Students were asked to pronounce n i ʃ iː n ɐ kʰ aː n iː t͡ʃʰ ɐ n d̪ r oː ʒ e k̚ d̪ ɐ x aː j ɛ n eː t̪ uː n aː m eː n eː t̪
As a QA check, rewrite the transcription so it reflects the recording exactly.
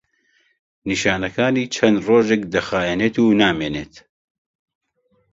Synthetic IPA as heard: n i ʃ aː n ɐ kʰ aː n iː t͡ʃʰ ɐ n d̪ r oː ʒ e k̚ d̪ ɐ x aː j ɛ n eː t̪ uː n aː m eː n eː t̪